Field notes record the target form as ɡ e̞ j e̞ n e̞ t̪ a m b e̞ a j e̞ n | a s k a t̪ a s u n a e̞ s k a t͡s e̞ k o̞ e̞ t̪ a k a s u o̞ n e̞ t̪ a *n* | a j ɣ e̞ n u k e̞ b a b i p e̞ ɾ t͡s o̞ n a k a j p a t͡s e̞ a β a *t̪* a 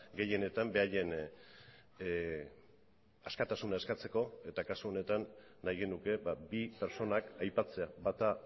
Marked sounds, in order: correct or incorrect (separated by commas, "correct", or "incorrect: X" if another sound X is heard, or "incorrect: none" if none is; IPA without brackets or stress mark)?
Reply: incorrect: nː, correct